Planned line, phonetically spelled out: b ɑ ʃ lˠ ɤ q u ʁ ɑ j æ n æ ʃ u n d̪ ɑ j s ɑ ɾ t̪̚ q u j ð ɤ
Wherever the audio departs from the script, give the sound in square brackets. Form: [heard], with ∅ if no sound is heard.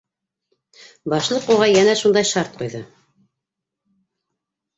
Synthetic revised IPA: b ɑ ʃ lˠ ɤ q u ʁ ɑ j æ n æ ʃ u n d̪ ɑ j [ʃ] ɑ ɾ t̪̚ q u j ð ɤ